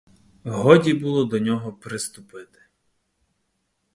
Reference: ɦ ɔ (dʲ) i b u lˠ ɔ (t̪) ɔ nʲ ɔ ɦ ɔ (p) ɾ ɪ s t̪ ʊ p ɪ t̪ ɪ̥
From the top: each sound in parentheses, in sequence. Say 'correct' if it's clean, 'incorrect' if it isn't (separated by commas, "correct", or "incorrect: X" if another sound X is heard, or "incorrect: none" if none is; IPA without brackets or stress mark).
correct, incorrect: d̪, correct